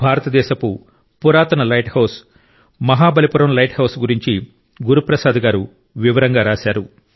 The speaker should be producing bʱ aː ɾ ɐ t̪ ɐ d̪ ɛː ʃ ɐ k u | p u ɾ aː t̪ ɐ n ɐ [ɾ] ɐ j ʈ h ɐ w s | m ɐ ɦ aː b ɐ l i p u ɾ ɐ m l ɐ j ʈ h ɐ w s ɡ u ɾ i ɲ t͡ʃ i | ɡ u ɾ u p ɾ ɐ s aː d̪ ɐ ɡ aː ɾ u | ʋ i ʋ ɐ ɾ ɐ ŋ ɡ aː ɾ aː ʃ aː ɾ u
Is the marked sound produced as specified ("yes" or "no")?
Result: no